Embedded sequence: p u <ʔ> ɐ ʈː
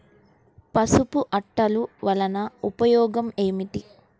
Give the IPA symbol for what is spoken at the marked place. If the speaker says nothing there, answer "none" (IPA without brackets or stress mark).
ʔ